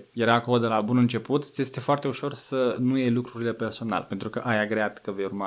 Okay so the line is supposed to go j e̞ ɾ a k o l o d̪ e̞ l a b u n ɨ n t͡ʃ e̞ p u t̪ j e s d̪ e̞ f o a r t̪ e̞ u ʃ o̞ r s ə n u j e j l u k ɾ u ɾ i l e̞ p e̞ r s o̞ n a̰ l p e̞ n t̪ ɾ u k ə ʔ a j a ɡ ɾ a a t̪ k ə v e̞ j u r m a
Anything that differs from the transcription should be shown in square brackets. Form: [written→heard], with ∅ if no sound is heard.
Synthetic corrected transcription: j e̞ ɾ a k o l o d̪ e̞ l a b u n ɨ n t͡ʃ e̞ p u t̪ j e s [d̪→t̪] e̞ f o a r t̪ e̞ u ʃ o̞ r s ə n u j e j l u k ɾ u ɾ i l e̞ p e̞ r s o̞ n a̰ l p e̞ n t̪ ɾ u k ə ʔ a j a ɡ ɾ [a→e] a t̪ k ə v e̞ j u r m a